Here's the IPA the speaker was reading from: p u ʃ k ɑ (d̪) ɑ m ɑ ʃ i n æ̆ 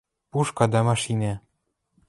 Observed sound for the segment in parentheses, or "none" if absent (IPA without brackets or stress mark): d̪